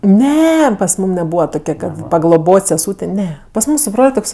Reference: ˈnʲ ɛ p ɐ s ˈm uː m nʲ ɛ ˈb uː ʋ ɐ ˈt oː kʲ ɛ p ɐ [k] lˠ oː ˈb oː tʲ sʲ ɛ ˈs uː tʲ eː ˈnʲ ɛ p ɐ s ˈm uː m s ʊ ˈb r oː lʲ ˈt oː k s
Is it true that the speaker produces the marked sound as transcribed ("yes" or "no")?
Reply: no